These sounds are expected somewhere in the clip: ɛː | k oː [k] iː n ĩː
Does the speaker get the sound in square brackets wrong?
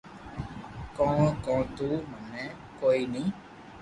yes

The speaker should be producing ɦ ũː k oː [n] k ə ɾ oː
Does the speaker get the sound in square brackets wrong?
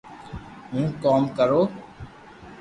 yes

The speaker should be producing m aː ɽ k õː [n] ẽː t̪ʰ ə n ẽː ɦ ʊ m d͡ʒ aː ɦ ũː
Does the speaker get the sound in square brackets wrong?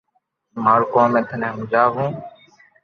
yes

